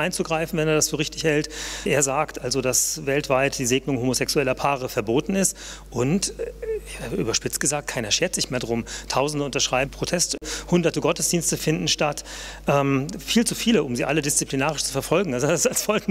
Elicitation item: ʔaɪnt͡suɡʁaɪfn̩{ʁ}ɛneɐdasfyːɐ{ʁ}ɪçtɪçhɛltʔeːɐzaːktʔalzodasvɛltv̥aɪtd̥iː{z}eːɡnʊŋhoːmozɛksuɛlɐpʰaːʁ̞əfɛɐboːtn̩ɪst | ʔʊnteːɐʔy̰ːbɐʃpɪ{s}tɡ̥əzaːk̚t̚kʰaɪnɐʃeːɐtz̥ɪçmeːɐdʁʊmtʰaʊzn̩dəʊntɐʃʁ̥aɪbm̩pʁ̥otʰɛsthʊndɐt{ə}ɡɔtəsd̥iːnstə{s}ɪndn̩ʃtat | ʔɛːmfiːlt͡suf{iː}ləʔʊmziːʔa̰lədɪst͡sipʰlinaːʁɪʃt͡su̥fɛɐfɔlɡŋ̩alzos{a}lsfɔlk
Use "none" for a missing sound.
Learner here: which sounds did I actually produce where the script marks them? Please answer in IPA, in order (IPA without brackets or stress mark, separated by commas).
v, ʁ, z, t͡s, ə, f, iː, a